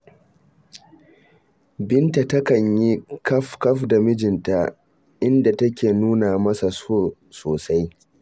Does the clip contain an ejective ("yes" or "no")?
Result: no